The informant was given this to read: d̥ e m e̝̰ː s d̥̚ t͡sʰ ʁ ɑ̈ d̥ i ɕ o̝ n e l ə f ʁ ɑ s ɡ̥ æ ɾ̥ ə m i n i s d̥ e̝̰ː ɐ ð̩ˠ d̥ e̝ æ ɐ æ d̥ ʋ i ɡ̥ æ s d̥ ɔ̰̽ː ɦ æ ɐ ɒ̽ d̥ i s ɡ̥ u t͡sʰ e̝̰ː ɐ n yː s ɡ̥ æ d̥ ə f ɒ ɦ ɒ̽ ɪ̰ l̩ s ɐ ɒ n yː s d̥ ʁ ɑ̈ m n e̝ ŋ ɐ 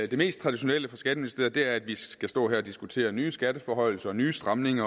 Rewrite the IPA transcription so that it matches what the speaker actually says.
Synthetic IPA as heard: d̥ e m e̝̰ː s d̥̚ t͡sʰ ʁ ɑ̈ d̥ i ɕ o̝ n e l ə f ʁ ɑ s ɡ̥ æ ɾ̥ ə m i n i s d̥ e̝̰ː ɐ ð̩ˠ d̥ e̝ æ ɐ æ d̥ ʋ i ɡ̥ æ s d̥ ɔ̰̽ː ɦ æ ɐ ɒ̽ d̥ i s ɡ̥ u t͡sʰ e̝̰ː ɐ n yː s ɡ̥ æ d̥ ə f ɒ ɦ ɒ̽ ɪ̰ l̩ s ɐ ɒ n yː s d̥ ʁ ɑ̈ m n e̝ ŋ ɐ